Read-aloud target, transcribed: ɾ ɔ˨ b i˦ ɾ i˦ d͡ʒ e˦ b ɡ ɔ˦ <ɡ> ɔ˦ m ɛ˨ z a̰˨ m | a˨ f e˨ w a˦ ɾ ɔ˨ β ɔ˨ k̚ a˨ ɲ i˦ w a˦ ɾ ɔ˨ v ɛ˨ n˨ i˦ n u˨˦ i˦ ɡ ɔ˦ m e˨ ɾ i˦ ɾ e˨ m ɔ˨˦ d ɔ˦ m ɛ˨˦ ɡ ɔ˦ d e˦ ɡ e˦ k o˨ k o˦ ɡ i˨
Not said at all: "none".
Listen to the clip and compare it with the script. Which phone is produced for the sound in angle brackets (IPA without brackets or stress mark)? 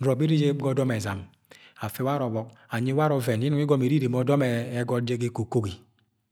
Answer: d